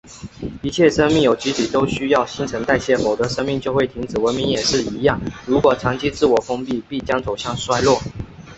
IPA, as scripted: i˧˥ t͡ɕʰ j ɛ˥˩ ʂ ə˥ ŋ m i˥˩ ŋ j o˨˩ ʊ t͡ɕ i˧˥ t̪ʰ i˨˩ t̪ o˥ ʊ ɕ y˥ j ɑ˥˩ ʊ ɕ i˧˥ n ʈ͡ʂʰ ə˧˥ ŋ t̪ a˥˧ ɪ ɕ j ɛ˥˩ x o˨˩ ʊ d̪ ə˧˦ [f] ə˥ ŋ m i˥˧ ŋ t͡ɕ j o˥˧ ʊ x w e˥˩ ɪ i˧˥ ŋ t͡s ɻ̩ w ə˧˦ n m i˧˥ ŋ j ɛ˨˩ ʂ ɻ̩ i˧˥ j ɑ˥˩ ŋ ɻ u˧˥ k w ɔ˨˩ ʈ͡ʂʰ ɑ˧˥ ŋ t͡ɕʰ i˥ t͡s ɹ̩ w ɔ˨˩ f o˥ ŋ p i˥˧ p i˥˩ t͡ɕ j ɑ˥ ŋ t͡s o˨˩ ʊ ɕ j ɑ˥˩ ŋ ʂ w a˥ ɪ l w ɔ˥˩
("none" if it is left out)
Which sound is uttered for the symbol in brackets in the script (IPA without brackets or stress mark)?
ʂ